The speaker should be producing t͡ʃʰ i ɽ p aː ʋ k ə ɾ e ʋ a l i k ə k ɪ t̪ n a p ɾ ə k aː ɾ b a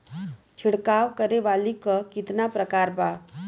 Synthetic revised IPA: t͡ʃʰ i ɽ k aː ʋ k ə ɾ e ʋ a l i k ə k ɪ t̪ n a p ɾ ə k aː ɾ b a